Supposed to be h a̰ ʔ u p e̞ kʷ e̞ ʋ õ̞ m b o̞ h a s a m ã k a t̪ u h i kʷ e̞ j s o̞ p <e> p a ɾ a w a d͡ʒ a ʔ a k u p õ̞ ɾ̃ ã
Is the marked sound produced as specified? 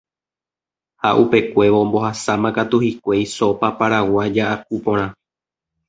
no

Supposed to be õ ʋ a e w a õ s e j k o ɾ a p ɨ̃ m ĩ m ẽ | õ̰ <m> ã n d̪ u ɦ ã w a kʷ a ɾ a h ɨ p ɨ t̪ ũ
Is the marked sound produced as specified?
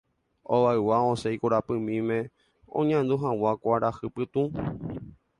no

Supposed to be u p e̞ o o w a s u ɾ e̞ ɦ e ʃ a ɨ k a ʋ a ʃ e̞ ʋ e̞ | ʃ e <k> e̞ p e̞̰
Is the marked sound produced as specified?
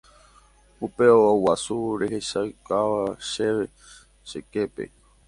yes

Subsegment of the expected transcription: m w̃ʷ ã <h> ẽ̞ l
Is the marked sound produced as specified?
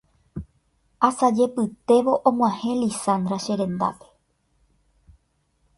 yes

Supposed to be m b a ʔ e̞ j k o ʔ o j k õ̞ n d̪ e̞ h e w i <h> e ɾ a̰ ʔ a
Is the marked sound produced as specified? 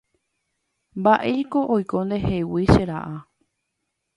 no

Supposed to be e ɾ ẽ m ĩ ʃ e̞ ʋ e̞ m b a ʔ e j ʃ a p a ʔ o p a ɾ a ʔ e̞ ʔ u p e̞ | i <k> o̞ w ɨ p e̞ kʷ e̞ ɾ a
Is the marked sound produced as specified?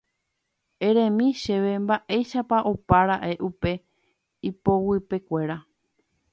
no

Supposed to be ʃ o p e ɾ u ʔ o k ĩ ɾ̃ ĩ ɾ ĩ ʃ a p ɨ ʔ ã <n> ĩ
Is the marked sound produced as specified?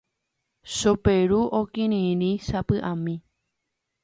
no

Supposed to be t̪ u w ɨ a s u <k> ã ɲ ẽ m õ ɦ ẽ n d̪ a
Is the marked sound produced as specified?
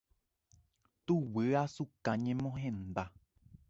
yes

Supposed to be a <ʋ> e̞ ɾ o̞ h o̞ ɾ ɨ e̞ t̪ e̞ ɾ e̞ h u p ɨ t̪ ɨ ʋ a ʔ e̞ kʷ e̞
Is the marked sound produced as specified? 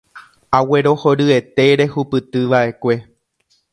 no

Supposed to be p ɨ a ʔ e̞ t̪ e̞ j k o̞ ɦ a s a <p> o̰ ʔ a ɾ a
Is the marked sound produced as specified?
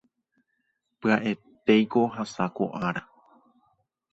no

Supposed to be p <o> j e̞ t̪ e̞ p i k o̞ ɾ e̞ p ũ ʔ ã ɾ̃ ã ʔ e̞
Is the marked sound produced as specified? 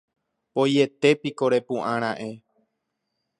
yes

